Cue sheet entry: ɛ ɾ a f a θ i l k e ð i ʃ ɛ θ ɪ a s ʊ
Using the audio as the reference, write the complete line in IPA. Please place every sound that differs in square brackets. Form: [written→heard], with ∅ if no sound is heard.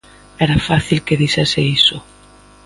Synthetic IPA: ɛ ɾ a f a θ i l k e ð i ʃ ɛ [θ→s] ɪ [a→i] s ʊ